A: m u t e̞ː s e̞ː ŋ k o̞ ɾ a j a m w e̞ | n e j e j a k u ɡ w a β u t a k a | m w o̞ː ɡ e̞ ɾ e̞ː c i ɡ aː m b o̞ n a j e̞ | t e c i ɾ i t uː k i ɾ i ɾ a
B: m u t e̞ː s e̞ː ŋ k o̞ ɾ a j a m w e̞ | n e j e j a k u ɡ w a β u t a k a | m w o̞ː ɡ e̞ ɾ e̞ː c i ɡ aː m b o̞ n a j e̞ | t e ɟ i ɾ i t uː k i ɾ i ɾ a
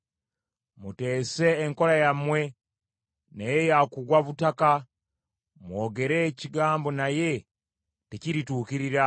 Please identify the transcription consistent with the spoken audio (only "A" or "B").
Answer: A